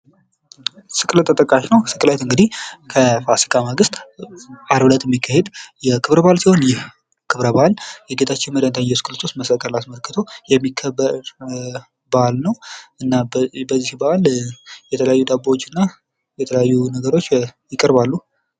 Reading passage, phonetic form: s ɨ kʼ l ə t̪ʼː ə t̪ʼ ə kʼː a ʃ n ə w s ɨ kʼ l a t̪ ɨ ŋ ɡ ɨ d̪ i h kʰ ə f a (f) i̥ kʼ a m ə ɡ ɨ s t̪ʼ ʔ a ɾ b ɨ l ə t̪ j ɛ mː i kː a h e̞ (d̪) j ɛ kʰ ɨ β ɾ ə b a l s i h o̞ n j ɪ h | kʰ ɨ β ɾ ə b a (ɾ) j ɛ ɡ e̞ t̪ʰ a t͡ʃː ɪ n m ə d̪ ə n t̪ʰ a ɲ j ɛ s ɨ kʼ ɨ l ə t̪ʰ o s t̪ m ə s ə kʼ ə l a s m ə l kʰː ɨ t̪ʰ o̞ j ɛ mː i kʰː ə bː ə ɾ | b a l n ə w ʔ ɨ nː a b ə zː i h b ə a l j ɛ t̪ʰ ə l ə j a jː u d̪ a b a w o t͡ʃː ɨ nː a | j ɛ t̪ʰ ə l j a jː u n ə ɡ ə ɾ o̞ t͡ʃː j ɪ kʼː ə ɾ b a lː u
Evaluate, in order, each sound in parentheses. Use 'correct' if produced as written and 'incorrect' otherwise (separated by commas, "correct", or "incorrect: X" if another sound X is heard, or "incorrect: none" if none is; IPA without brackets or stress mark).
incorrect: s, correct, incorrect: l